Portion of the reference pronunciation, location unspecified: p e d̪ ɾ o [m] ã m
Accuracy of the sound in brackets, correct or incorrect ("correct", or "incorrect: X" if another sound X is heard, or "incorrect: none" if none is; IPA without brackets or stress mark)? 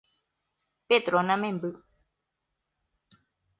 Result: incorrect: n